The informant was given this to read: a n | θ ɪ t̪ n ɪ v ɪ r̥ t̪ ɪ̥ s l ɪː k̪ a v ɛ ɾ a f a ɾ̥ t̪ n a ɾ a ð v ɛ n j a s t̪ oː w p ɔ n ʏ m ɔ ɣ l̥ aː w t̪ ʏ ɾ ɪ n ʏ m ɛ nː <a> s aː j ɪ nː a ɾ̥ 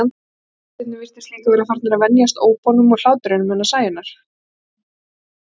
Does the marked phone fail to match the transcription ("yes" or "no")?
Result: no